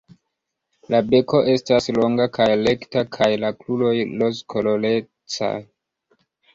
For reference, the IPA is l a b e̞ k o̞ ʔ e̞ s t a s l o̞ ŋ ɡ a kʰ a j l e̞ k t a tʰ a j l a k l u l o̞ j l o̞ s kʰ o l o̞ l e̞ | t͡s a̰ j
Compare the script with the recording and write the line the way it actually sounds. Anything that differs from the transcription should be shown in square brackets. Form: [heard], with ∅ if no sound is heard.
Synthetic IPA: l a b e̞ k o̞ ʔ e̞ s t a s l o̞ ŋ ɡ a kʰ a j l e̞ k t a [kʰ] a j l a k l u l o̞ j l o̞ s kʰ o l o̞ l e̞ | t͡s a̰ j